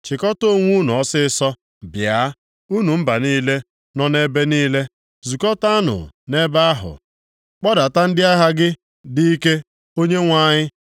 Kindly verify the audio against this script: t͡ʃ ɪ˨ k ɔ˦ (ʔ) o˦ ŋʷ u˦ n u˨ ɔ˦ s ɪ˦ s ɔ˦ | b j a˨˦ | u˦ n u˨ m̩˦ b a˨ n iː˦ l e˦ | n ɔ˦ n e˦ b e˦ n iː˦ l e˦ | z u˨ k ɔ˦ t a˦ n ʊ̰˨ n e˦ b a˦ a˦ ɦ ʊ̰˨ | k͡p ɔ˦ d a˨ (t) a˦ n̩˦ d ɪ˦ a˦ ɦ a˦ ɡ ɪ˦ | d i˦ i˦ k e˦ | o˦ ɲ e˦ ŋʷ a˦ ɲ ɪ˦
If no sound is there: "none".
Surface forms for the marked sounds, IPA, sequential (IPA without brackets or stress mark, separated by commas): t, t